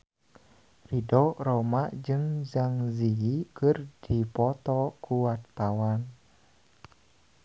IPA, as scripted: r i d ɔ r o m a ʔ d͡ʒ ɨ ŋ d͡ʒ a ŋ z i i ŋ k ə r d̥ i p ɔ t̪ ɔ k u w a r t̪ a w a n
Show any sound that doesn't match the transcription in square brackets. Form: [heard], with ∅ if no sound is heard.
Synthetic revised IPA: r i d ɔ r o m a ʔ d͡ʒ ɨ ŋ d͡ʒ a ŋ z i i [∅] k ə r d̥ i p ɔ t̪ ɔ k u w a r t̪ a w a n